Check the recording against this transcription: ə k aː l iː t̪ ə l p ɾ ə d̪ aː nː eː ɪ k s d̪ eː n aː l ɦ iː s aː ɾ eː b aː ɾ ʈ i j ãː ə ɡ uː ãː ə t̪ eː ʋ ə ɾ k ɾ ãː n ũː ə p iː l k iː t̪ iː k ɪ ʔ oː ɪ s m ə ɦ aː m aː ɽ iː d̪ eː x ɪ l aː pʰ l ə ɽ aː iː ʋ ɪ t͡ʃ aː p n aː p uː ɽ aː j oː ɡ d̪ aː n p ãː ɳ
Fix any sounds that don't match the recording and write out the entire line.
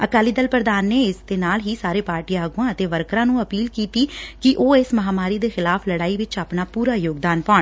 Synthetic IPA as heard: ə k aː l iː d̪ ə l p ɾ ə d̪ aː nː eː ɪ s d̪ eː n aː l ɦ iː s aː ɾ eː p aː ɾ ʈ i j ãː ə ɡ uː ãː ə t̪ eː ʋ ə ɾ k ɾ ãː n ũː ə p iː l k iː t̪ iː k ɪ ʔ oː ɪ s m ə ɦ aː m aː ɾ iː d̪ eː x ɪ l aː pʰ l ə ɽ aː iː ʋ ɪ t͡ʃ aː p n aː p uː ɾ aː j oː ɡ d̪ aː n p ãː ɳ